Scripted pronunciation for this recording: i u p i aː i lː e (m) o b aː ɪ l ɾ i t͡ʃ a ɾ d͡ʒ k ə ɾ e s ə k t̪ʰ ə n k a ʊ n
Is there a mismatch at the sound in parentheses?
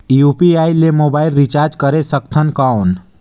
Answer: no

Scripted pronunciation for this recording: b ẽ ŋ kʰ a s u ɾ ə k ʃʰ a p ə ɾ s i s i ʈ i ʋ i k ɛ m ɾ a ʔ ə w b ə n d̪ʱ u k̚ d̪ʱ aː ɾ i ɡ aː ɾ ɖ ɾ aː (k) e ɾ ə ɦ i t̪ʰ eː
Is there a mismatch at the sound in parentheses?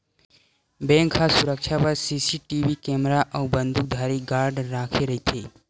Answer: yes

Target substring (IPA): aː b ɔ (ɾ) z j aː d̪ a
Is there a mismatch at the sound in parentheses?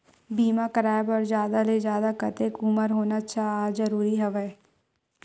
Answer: no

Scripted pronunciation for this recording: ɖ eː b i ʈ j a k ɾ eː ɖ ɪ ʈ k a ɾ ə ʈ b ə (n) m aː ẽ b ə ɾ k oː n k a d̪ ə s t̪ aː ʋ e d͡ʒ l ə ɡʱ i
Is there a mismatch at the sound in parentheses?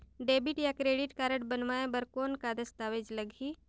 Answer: no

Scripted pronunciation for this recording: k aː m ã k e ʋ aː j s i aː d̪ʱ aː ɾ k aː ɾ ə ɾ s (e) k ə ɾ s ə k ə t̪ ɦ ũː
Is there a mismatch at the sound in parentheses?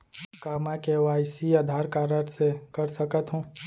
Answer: no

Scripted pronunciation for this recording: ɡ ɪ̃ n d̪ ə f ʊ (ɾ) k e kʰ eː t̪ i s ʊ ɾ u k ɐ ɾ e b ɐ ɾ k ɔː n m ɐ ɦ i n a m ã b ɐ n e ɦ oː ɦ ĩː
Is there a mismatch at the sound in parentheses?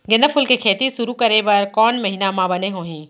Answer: yes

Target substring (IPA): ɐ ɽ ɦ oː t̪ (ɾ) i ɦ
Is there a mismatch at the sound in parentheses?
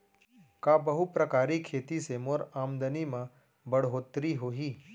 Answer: no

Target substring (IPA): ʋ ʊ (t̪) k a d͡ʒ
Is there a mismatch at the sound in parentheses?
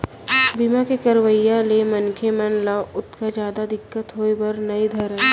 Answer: no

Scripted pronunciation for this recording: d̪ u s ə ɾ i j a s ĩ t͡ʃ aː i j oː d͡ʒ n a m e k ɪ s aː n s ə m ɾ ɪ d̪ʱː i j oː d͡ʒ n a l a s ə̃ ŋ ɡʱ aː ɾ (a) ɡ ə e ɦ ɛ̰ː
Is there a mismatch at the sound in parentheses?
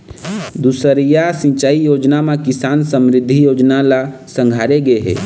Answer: yes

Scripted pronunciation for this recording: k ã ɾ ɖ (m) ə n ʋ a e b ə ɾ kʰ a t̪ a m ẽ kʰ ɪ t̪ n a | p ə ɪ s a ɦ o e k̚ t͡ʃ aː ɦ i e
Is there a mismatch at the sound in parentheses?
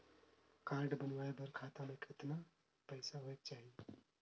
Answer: yes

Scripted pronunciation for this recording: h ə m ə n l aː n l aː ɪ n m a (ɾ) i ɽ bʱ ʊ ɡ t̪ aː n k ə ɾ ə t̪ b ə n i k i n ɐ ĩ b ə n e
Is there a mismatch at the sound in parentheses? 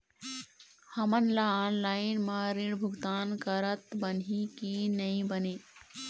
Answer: no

